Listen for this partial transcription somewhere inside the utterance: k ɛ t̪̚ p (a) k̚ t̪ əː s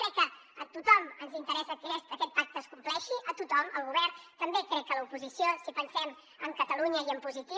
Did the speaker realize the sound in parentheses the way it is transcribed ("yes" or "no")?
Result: yes